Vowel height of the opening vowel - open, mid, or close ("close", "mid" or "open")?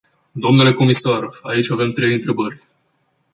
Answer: mid